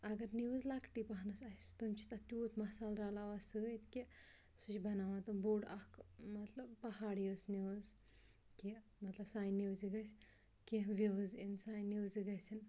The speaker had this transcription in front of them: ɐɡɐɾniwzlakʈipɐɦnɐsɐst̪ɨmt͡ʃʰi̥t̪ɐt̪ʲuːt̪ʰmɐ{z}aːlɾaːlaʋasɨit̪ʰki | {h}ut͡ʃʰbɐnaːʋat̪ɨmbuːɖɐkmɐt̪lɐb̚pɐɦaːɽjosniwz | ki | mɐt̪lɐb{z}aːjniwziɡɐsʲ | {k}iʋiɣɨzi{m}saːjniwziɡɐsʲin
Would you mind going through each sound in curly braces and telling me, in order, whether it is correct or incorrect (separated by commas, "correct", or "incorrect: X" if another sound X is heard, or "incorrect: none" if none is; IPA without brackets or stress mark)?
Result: incorrect: s, incorrect: s, incorrect: s, correct, incorrect: n